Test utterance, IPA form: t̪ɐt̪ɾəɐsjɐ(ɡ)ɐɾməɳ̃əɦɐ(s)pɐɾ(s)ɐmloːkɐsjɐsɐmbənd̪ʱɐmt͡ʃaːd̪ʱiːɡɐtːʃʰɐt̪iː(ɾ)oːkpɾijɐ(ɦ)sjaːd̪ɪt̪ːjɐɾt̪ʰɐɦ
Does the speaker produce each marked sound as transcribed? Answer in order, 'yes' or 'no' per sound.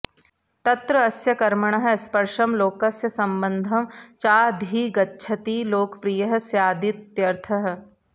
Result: no, yes, no, no, yes

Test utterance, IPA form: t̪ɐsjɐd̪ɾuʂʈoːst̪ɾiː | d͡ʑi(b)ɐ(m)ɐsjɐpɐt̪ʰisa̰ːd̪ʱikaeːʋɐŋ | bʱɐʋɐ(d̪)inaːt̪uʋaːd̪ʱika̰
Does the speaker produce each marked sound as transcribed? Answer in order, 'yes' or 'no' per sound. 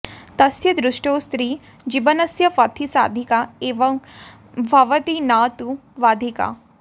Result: yes, no, no

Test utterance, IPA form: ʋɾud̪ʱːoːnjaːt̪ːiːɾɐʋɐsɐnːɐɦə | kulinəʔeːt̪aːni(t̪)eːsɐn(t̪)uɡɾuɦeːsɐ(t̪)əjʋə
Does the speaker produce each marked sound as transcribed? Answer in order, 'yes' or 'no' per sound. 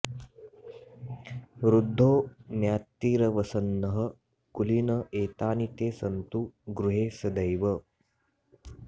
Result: yes, yes, no

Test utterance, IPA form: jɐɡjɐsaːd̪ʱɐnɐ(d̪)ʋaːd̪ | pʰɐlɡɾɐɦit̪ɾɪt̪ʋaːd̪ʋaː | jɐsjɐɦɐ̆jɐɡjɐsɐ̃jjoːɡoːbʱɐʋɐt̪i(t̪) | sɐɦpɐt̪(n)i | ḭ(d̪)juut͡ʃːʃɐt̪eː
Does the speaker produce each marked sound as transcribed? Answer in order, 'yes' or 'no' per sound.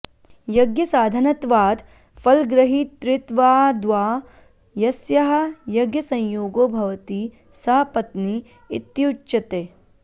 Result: no, no, yes, no

